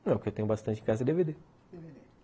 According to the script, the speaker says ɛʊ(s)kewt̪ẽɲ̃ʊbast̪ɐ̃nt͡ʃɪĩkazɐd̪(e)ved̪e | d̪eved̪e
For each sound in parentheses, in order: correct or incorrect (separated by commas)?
incorrect, correct